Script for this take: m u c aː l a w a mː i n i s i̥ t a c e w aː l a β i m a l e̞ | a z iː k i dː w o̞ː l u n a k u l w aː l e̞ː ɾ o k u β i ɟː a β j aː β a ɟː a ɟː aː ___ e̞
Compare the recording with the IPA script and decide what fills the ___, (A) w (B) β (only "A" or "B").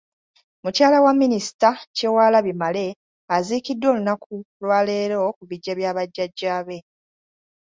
B